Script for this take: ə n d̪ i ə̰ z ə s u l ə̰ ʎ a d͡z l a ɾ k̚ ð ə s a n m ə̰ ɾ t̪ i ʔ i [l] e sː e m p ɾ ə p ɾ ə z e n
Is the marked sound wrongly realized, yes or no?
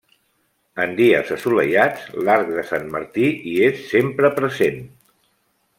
yes